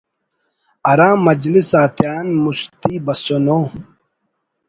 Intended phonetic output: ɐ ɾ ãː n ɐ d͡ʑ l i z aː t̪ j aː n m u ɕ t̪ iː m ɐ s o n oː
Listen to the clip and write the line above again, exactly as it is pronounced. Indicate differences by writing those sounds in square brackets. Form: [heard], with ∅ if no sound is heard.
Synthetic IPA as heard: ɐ ɾ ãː [m] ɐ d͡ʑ l i [s] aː t̪ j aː n m u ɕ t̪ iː [b] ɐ s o n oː